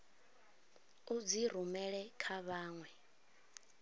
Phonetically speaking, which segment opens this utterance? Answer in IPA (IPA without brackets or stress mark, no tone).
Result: u